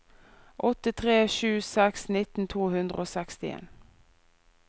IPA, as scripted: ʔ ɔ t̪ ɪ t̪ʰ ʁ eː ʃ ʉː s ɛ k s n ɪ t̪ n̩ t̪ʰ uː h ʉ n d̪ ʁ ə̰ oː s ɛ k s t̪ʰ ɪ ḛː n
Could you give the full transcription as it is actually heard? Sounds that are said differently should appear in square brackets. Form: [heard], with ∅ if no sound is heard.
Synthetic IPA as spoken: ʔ ɔ t̪ ɪ t̪ʰ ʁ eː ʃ ʉː s ɛ k s n ɪ t̪ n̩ t̪ʰ uː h ʉ n d̪ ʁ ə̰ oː s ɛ k s [t̪] ɪ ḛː n